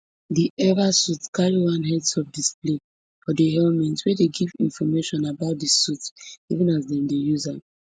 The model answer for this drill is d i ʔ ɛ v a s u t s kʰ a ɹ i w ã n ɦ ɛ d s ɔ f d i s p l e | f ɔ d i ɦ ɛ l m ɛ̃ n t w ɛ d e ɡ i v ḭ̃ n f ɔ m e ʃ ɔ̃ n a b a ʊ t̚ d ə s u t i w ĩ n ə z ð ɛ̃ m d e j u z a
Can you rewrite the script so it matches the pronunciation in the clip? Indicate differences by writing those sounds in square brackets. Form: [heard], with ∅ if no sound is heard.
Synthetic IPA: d i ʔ ɛ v a s u t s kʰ a ɹ i w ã n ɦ ɛ d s ɔ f d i s p l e | f ɔ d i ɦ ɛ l m ɛ̃ n t w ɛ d e ɡ i v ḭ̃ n f ɔ m e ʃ ɔ̃ n a b a ʊ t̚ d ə s u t i [v] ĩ n [a] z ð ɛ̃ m d e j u z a

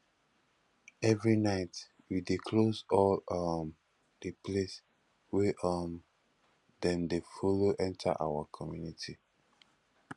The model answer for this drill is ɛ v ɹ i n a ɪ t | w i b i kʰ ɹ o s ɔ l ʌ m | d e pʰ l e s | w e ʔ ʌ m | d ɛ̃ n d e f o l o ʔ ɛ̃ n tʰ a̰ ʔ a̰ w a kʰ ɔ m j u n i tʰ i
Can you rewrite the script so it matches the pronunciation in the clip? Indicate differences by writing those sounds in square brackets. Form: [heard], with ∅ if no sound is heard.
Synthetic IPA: ɛ v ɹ i n a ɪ t | w i [d] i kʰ [l] o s ɔ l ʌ m | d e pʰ l e s | w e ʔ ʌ m | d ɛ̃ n d e f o l o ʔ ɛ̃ n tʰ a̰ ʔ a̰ w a kʰ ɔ m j u n i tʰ i

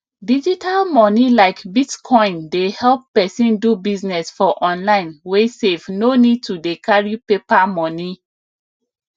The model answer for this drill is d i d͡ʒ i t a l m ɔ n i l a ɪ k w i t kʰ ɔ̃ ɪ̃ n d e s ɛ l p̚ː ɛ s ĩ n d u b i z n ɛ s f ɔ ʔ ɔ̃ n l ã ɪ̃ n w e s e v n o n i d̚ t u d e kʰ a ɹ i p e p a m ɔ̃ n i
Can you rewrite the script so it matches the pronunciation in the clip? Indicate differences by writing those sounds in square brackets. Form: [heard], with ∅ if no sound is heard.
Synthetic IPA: d i d͡ʒ i t a l m ɔ n i l a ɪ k [b] i t kʰ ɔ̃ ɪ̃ n d e [h] ɛ l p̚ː ɛ s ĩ n d u b i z n ɛ s f ɔ ʔ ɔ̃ n l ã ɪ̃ n w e s e v n o n i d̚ t u d e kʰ a ɹ i p e p a m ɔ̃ n i

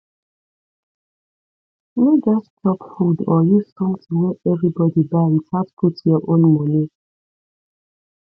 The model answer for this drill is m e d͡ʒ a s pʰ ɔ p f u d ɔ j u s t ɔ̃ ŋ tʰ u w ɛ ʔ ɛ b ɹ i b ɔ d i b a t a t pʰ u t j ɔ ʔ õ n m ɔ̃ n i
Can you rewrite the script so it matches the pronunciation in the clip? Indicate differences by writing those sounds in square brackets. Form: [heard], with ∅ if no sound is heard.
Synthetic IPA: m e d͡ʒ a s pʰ ɔ p f u d ɔ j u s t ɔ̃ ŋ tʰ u w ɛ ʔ ɛ [v] ɹ i b ɔ d i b a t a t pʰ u t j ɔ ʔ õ n m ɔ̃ n i

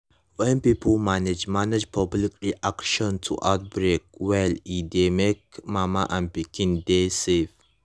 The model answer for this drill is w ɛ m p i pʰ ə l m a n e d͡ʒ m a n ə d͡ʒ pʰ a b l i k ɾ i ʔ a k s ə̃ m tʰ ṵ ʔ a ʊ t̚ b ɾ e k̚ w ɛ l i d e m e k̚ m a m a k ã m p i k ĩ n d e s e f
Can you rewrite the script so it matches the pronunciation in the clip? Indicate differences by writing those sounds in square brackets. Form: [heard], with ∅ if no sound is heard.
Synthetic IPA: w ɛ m p i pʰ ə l m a n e d͡ʒ m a n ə d͡ʒ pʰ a b l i k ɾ i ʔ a k [ʃ] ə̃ [n] tʰ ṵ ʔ a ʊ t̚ b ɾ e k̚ w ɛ l i d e m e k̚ m a m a [ʔ] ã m p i k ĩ n d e s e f

